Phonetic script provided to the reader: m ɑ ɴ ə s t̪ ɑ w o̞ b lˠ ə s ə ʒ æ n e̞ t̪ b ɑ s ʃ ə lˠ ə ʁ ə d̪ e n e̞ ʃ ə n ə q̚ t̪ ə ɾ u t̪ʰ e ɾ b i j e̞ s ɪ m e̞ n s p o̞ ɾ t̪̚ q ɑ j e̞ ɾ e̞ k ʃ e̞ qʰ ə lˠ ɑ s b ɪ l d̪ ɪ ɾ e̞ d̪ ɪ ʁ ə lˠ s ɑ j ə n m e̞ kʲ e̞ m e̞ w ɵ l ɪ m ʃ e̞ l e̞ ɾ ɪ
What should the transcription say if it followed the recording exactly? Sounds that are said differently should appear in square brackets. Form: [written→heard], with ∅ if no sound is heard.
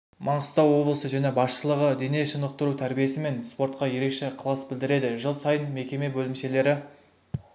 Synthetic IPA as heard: m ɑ ɴ ə s t̪ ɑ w o̞ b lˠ ə s ə ʒ æ n e̞ [t̪→∅] b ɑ s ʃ ə lˠ ə ʁ ə d̪ e n e̞ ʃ ə n ə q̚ t̪ ə ɾ u t̪ʰ [e→æ] ɾ b i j e̞ s ɪ m e̞ n s p o̞ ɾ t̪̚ q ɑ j e̞ ɾ e̞ k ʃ e̞ qʰ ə lˠ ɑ s b ɪ l d̪ ɪ ɾ e̞ d̪ ɪ [ʁ→ʒ] ə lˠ s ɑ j ə n m e̞ kʲ e̞ m e̞ [w→b] ɵ l ɪ m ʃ e̞ l e̞ ɾ ɪ